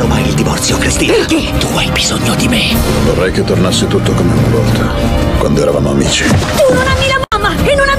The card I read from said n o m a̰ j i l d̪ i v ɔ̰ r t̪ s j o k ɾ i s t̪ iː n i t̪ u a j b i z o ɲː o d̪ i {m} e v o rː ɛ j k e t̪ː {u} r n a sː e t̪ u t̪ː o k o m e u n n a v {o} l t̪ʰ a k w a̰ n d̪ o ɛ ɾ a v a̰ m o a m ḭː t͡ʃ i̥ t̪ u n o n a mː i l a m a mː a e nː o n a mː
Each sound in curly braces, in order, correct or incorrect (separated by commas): correct, incorrect, incorrect